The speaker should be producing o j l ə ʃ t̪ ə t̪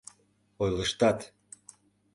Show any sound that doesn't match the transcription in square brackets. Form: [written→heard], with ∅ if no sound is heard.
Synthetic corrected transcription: o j l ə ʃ t̪ [ə→ɑ] t̪